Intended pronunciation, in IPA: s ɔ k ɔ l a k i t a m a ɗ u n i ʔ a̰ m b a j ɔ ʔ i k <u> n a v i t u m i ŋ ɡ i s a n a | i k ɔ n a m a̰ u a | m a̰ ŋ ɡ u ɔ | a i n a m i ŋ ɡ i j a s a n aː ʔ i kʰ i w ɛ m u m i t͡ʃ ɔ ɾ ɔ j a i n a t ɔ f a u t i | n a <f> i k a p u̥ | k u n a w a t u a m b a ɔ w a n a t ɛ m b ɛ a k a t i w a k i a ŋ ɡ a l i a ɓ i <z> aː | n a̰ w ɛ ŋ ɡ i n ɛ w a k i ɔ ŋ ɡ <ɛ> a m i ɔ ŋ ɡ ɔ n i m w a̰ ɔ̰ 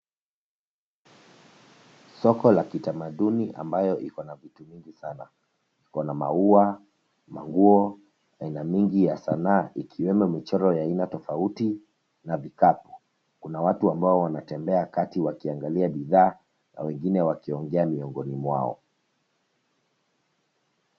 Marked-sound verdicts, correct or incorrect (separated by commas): incorrect, incorrect, incorrect, correct